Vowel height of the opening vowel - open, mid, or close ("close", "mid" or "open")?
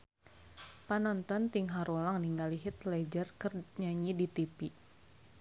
open